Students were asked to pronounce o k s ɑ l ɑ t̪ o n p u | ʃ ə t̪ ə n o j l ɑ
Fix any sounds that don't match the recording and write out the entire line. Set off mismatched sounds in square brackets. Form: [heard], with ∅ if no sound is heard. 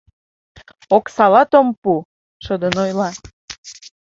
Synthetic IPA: o k s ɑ l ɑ t̪ o [m] p u | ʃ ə [d̪] ə n o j l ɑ